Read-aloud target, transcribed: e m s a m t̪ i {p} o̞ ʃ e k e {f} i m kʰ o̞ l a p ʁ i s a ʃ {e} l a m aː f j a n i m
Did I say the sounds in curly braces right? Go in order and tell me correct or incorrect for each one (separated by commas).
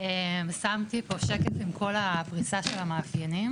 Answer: correct, correct, correct